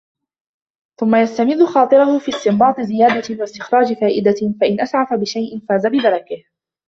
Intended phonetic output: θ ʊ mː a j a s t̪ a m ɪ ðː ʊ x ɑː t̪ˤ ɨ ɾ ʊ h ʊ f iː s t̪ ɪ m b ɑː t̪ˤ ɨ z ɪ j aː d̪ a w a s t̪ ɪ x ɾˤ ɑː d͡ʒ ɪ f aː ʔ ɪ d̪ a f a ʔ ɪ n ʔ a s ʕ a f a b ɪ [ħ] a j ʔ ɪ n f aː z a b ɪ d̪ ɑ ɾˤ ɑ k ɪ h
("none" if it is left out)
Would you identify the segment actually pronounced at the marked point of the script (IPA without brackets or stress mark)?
ʃ